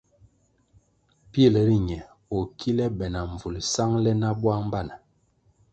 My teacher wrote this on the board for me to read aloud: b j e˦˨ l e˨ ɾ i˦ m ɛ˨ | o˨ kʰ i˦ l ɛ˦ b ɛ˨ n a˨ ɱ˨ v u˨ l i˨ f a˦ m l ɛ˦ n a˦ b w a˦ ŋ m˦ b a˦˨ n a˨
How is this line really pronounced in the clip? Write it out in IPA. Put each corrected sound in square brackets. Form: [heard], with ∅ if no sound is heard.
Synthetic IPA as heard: [p] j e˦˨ l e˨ ɾ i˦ [ɲ] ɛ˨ | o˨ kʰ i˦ l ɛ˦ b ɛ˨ n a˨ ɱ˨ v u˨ l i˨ [s] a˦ [ŋ] l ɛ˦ n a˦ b w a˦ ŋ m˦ b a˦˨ n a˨